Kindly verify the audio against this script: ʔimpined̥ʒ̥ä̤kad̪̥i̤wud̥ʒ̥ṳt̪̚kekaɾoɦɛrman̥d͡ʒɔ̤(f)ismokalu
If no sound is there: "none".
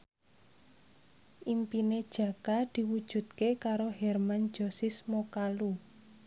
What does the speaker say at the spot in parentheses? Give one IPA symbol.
s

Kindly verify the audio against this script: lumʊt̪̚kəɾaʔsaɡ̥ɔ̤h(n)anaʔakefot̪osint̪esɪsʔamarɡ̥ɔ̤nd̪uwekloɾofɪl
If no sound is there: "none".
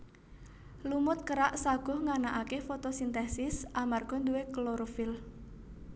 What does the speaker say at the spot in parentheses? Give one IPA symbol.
ŋ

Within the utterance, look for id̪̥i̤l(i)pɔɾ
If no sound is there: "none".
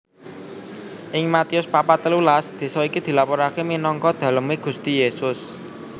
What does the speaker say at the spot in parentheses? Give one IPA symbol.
a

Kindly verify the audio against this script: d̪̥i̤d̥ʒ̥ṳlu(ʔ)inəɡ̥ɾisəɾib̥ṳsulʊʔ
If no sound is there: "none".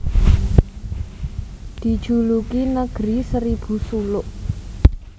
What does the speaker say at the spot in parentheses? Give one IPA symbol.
k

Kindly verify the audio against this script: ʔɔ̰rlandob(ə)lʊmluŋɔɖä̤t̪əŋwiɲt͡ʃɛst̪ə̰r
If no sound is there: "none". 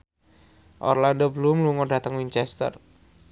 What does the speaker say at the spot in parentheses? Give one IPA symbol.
ə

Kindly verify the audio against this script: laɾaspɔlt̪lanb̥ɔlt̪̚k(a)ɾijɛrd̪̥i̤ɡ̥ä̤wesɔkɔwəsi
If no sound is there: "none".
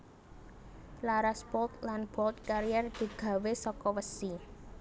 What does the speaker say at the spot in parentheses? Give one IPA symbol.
a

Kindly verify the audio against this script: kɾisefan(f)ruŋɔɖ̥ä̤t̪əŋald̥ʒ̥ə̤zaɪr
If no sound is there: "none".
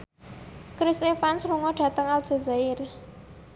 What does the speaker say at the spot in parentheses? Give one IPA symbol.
s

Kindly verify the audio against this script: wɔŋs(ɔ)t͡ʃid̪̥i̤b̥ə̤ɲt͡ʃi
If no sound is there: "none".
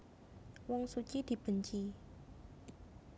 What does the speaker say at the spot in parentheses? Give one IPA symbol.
u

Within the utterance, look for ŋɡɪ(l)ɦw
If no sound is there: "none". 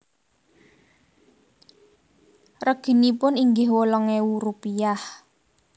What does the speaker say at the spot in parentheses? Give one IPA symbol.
none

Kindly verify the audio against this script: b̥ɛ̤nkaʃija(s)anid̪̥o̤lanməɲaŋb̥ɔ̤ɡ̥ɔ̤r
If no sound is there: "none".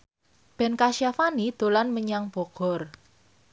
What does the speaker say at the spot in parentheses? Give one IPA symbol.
f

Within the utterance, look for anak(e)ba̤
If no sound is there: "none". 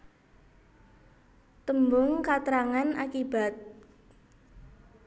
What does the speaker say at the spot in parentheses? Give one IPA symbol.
i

